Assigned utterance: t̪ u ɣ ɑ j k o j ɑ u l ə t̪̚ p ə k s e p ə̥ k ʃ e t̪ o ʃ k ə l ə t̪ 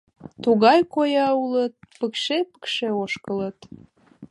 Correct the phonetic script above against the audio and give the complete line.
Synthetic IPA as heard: t̪ u ɣ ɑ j k o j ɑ u l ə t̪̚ p ə k ʃ e p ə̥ k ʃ e o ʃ k ə l ə t̪